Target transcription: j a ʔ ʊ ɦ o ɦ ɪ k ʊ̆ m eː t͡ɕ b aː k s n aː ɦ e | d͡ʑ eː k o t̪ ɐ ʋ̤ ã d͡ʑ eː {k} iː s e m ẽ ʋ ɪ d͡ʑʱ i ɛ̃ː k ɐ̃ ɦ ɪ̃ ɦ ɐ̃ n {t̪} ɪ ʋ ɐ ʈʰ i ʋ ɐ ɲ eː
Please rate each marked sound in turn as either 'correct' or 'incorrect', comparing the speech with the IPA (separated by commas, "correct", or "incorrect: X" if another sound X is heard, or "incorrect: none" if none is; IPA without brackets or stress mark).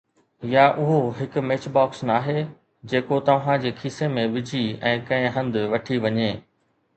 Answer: incorrect: kʰ, incorrect: d̪